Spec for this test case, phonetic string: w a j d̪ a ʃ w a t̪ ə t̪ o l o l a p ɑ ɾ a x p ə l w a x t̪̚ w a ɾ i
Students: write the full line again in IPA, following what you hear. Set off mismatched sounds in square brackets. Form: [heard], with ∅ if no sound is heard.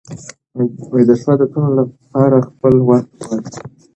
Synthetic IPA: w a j d̪ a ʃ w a [d̪] ə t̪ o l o l a p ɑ ɾ a x p ə l w a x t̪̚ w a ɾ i